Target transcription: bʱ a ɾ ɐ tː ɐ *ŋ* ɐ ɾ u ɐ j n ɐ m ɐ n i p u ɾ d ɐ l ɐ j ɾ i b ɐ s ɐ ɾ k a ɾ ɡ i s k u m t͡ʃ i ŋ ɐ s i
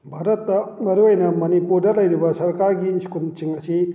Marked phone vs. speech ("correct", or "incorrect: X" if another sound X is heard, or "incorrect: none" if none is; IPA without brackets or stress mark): incorrect: m